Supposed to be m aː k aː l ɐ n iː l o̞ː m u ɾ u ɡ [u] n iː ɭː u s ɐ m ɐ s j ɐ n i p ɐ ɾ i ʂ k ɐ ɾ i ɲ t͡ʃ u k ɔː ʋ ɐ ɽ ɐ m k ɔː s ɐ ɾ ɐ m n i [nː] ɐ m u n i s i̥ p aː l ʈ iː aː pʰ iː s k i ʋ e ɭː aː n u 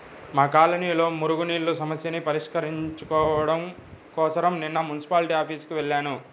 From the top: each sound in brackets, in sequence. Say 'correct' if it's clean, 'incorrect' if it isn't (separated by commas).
correct, correct